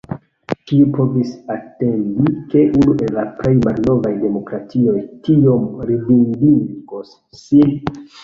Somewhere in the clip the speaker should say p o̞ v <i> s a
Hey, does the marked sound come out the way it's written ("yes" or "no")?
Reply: yes